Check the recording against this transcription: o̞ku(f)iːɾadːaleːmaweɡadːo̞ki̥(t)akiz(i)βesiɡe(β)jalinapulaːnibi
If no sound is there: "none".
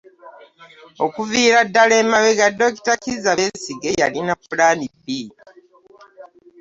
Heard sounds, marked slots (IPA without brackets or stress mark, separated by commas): v, t, a, none